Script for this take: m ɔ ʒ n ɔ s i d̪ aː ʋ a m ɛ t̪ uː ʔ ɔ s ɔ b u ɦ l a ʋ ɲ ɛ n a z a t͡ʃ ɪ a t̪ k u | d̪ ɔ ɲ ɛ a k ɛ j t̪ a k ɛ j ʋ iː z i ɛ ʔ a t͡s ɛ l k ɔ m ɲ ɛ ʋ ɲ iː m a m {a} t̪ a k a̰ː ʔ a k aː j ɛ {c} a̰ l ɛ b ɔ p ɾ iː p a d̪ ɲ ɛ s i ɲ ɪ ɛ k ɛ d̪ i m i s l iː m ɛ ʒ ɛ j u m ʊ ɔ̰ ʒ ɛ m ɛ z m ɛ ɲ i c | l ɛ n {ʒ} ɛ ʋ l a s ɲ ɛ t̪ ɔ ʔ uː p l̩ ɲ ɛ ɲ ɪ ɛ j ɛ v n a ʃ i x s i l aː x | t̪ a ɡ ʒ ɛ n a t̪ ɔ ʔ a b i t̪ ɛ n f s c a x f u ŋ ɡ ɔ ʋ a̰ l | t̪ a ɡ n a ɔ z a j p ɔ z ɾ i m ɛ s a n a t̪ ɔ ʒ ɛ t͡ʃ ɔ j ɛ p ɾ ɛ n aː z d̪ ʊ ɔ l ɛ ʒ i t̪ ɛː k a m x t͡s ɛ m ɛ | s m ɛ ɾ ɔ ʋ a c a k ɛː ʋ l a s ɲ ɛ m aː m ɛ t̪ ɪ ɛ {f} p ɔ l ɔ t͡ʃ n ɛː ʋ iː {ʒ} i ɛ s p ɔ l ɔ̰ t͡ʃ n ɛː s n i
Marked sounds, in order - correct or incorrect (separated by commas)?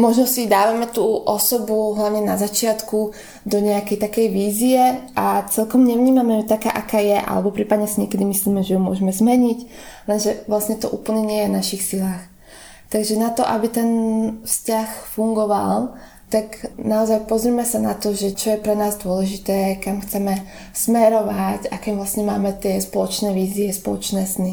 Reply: incorrect, incorrect, correct, incorrect, incorrect